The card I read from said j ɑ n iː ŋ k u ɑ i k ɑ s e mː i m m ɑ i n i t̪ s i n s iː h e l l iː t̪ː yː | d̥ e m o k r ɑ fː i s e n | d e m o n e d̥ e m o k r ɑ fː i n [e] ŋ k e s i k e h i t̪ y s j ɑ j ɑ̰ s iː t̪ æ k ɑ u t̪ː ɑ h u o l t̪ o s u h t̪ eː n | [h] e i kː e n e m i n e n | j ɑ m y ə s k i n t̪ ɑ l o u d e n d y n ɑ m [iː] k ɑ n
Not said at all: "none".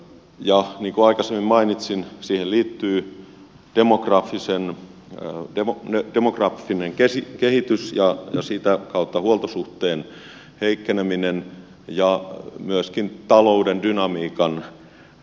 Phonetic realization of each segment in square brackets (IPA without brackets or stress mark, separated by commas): e, h, iː